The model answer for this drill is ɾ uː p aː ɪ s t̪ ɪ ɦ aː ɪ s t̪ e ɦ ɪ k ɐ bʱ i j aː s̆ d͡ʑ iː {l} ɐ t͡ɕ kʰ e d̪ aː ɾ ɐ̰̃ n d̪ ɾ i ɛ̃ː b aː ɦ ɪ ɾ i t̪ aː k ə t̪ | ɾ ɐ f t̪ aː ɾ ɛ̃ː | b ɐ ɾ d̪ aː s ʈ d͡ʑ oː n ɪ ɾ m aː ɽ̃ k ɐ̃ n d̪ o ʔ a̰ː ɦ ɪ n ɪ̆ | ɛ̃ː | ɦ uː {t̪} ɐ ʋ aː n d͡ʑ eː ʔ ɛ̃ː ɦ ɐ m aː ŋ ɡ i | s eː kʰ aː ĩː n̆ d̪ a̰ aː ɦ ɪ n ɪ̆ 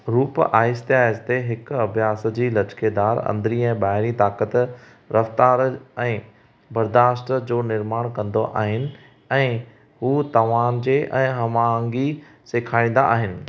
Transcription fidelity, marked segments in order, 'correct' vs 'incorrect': correct, correct

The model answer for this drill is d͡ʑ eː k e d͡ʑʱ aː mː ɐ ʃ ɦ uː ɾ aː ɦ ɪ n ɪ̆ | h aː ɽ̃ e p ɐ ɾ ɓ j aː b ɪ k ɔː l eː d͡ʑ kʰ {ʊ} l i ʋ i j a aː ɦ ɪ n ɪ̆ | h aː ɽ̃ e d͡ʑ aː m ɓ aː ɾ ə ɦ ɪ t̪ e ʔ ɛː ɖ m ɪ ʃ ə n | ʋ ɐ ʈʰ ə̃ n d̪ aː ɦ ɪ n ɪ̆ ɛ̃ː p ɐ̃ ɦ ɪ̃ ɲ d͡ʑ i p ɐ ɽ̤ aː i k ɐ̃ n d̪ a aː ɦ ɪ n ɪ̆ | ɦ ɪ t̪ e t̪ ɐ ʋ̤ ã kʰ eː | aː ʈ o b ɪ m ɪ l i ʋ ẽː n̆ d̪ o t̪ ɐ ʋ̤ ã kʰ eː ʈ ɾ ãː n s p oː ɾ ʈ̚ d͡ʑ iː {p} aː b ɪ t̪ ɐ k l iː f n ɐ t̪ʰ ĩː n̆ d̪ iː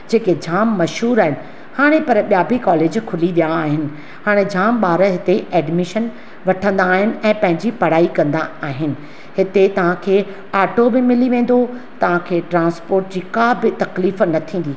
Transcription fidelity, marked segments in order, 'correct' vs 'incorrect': correct, incorrect

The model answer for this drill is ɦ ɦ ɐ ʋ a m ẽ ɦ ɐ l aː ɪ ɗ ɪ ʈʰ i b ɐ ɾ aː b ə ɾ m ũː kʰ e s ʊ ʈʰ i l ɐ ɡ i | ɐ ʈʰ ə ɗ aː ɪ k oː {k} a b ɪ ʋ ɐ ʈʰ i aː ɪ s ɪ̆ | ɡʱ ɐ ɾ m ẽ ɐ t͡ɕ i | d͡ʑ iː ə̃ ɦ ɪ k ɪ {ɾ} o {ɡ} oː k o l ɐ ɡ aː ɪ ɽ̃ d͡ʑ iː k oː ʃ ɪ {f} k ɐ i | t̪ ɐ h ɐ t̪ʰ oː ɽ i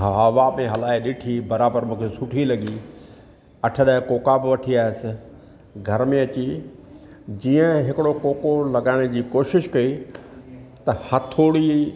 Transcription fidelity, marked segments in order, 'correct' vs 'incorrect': correct, incorrect, incorrect, incorrect

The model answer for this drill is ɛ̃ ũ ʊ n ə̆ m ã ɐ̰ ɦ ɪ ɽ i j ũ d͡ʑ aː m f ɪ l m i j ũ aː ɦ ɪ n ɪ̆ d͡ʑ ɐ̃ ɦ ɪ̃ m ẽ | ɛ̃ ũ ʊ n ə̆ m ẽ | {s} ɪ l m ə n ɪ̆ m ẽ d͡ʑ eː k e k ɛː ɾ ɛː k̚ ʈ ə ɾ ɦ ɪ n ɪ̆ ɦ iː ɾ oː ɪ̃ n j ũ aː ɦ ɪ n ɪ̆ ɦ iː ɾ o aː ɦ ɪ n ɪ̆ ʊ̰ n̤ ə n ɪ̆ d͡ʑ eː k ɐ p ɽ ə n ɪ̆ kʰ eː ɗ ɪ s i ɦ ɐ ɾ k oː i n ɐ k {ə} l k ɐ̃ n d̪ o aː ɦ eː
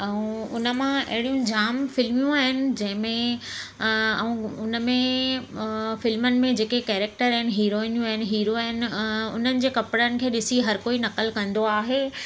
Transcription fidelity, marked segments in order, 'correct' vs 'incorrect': incorrect, correct

